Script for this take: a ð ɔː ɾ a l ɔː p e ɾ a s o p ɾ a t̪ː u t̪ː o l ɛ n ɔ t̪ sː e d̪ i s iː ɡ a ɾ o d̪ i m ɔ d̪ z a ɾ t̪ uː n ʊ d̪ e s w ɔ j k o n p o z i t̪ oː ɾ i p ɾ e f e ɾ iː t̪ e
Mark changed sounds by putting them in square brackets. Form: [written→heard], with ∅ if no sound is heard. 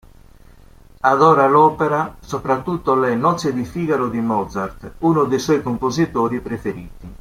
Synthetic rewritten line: a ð ɔː ɾ a l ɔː p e ɾ a s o p ɾ a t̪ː u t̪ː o l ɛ n ɔ t̪ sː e d̪ i [s→f] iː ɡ a ɾ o d̪ i m ɔ d̪ z a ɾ t̪ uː n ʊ d̪ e s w ɔ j k o [n→m] p o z i t̪ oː ɾ i p ɾ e f e ɾ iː t̪ [e→i]